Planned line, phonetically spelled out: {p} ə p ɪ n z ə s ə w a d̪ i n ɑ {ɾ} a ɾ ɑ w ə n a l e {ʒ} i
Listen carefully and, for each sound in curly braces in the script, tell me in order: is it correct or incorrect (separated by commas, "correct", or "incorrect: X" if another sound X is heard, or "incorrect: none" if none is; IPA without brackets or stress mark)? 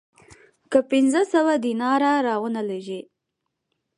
incorrect: k, correct, correct